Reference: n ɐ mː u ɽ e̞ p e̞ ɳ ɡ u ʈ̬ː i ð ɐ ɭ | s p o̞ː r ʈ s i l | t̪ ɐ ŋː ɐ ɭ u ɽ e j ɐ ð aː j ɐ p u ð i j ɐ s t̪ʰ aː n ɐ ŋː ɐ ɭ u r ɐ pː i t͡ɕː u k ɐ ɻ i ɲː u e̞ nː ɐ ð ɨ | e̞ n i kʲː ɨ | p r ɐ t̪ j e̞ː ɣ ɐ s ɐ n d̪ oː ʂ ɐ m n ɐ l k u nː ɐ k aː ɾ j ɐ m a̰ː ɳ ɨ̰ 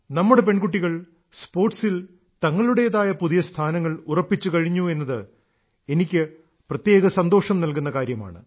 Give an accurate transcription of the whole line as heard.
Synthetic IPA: n ɐ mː u ɽ e̞ p e̞ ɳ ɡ u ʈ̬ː i ɣ ɐ ɭ | s p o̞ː r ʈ s i l | t̪ ɐ ŋː ɐ ɭ u ɽ e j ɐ ð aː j ɐ p u ð i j ɐ s t̪ʰ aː n ɐ ŋː ɐ ɭ u r ɐ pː i t͡ɕː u k ɐ ɻ i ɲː u e̞ nː ɐ ð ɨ | e̞ n i kʲː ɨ | p r ɐ t̪ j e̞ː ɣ ɐ s ɐ n d̪ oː ʂ ɐ m n ɐ l k u nː ɐ k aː ɾ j ɐ m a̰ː ɳ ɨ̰